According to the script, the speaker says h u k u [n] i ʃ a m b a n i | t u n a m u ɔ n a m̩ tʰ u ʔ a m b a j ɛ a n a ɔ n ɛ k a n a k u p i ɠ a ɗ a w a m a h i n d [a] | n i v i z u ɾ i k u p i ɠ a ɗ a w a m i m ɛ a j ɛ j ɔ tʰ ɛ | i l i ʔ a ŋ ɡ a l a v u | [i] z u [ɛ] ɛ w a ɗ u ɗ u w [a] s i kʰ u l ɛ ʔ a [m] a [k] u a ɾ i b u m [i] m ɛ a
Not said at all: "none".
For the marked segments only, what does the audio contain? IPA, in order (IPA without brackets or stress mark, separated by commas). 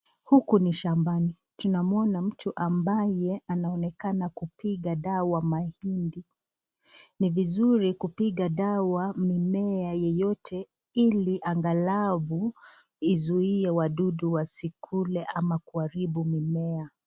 n, i, i, i, a, m, k, i